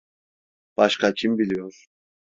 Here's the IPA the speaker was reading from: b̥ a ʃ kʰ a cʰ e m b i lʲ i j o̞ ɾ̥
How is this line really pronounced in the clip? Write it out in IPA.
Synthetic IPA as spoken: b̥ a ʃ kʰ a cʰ i m b i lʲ i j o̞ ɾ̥